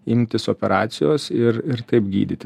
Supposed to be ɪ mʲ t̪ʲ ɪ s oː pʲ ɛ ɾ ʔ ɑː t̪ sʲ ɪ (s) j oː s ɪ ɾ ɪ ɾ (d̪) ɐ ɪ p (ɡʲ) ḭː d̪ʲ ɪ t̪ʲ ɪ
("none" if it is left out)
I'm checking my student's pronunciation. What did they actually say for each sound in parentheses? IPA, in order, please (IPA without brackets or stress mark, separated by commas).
none, t̪, ɡʲ